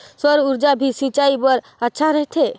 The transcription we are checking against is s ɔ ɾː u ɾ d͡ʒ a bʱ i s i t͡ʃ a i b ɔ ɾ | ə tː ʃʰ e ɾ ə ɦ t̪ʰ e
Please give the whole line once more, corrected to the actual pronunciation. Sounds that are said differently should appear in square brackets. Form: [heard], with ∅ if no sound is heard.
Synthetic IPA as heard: s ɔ [ɾ] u ɾ d͡ʒ a bʱ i s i t͡ʃ a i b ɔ ɾ | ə tː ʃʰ [a] ɾ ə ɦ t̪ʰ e